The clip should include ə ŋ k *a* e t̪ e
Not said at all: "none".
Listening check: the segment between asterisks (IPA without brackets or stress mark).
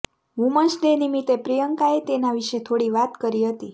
a